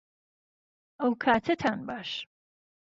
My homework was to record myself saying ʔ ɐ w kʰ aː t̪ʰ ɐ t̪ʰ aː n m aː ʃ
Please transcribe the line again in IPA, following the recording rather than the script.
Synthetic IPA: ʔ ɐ w kʰ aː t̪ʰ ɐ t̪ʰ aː n b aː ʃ